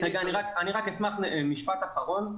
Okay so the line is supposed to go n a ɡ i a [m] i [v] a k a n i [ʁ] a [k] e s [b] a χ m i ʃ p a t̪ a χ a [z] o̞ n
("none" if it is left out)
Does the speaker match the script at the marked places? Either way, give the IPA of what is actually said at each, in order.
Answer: n, ʁ, ʁ, k, m, ʁ

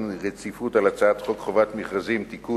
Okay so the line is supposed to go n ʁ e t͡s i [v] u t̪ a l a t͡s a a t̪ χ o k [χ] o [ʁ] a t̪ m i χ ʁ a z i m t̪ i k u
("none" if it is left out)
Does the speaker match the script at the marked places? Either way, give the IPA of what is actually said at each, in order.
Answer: f, χ, v

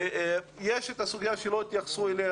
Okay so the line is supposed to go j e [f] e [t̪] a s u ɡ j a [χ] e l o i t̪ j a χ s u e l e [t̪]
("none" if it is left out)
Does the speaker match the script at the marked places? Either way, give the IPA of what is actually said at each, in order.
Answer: ʃ, t̪, ʃ, none

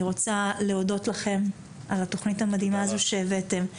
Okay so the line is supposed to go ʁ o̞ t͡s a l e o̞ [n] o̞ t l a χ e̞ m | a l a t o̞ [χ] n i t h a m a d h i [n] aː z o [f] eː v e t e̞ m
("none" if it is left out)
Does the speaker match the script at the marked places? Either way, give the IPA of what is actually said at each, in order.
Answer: d, χ, m, ʃ

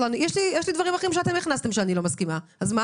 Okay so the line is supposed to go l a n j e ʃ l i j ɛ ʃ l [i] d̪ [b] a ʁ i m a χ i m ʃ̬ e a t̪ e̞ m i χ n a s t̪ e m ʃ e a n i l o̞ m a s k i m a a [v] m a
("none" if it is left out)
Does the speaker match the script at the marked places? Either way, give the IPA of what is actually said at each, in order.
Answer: i, v, z

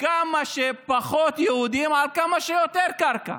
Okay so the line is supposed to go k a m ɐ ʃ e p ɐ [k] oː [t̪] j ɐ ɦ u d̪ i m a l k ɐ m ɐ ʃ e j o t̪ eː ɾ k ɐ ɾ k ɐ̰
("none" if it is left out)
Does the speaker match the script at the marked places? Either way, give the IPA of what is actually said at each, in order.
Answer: x, t̪

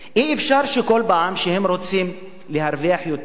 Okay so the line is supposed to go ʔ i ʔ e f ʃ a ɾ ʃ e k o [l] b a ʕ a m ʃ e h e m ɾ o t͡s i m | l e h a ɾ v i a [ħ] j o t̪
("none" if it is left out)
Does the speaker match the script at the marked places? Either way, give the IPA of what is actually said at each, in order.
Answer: l, ħ

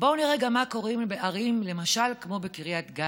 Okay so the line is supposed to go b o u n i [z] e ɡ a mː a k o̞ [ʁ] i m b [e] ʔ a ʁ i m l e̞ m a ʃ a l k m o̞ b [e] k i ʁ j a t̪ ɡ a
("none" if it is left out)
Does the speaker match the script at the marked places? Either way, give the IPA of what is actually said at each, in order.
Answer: ʁ, ʁ, e, e

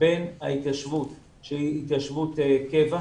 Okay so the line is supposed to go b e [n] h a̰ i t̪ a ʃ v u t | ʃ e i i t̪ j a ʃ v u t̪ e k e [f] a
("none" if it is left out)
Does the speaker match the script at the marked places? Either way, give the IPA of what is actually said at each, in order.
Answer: n, v

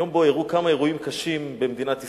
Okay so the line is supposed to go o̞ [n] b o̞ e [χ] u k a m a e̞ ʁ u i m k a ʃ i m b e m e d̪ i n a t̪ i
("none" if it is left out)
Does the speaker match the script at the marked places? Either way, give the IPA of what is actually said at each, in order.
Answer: m, ʁ

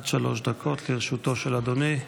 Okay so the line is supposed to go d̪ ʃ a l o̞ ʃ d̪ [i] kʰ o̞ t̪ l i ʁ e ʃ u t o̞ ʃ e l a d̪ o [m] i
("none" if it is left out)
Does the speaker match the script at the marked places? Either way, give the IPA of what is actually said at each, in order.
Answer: a, n

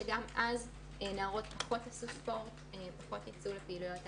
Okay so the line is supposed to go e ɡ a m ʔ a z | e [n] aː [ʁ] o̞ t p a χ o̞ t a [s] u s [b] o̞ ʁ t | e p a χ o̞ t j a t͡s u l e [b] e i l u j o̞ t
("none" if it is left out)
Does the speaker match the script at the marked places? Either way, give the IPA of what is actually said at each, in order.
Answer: n, ʁ, s, p, p

